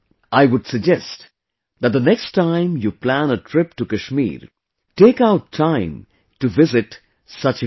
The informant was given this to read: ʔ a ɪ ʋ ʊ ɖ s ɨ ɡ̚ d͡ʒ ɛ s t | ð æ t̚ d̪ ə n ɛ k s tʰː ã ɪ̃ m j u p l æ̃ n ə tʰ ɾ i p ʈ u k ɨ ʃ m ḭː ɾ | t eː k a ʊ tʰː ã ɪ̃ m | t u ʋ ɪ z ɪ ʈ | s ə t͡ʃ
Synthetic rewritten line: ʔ a ɪ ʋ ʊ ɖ s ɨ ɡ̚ d͡ʒ ɛ s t | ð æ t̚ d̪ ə n ɛ k s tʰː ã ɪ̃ m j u p l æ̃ n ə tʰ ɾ ɪ p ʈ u k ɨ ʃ m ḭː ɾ | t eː k a ʊ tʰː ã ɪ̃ m | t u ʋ ɪ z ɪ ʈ | s ʌ t͡ʃ